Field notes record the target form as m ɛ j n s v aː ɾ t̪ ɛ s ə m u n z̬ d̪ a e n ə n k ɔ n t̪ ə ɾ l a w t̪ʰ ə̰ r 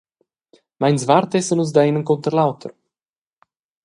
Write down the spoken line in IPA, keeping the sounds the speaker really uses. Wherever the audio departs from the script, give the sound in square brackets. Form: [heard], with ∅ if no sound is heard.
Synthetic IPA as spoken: m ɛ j n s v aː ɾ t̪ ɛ s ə [n] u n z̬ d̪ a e n ə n k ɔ n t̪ ə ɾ l a w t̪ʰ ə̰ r